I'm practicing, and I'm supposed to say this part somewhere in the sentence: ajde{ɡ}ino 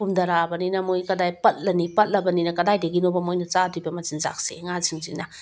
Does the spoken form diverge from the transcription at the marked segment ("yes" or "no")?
no